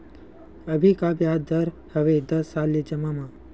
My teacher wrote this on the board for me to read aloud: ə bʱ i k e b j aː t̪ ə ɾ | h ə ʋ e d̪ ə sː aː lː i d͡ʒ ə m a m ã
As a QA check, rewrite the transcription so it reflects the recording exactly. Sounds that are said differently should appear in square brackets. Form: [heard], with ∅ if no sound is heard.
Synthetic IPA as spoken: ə bʱ i k [a] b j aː [d̪] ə ɾ | h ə ʋ e d̪ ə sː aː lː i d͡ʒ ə m a m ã